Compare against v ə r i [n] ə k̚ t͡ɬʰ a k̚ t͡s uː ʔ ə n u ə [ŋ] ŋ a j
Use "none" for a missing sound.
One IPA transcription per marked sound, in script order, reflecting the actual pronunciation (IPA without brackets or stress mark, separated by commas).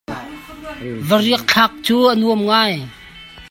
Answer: none, m